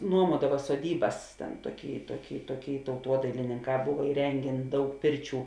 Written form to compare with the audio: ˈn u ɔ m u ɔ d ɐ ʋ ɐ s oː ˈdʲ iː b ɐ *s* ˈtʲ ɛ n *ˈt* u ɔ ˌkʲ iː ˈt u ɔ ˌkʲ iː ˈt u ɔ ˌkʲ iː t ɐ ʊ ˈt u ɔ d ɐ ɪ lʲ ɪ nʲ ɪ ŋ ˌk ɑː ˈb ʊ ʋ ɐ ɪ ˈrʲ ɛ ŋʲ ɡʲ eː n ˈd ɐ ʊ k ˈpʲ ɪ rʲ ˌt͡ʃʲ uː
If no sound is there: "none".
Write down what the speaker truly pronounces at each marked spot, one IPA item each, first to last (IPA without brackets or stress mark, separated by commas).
s, t